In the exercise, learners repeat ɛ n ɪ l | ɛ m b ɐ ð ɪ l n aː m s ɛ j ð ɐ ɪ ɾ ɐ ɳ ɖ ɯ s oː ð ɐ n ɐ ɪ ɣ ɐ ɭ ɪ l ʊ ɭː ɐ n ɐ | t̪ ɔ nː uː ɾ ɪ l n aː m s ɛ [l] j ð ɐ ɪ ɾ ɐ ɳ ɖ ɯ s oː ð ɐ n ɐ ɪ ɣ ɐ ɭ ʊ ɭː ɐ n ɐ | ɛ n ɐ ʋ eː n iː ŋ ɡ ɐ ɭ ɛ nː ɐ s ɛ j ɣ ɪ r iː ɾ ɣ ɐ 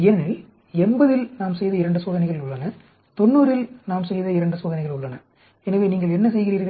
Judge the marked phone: incorrect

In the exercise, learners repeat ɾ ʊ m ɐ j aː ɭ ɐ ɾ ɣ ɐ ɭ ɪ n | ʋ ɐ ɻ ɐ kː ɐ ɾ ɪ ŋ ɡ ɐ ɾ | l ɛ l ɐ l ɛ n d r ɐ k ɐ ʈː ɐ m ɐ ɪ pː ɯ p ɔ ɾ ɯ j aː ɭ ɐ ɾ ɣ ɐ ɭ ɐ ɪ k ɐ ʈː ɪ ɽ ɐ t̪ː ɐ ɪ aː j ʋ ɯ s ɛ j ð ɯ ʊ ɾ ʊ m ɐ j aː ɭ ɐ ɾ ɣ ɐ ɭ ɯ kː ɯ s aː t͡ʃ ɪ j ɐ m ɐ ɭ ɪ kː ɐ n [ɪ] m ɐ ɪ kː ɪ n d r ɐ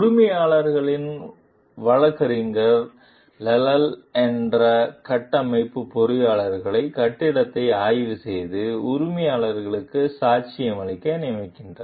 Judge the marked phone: correct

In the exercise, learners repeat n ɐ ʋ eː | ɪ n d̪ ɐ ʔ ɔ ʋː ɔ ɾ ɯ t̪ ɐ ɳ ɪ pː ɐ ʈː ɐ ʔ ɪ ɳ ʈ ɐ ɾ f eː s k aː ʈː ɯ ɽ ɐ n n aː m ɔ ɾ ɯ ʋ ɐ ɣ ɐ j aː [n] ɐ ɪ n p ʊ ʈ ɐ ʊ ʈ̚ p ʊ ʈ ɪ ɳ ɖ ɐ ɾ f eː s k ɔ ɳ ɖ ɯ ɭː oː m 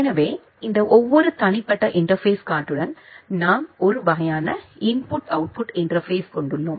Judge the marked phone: correct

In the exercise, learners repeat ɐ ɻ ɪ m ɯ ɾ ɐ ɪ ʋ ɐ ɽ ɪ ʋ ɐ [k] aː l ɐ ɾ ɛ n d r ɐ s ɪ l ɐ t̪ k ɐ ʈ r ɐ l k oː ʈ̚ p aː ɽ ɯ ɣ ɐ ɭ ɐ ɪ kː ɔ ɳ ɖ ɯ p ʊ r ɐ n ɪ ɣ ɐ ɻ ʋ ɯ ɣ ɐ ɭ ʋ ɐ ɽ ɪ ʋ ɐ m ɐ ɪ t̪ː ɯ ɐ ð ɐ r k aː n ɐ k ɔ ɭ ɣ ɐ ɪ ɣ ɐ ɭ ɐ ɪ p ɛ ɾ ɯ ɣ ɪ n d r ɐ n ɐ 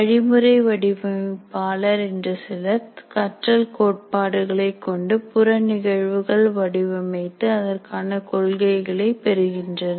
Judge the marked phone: incorrect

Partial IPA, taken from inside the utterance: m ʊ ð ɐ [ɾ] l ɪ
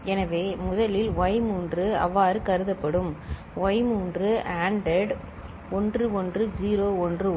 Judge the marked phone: incorrect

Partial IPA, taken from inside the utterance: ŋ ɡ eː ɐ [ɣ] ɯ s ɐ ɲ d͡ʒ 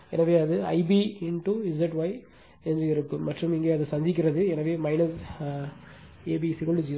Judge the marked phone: incorrect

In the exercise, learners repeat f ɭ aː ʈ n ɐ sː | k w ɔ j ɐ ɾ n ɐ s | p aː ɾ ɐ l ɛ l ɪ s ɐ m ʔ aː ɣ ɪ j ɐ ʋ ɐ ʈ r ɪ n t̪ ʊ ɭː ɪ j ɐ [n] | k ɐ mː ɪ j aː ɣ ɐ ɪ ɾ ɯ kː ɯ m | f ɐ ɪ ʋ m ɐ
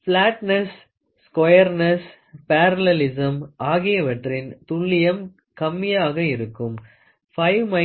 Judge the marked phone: incorrect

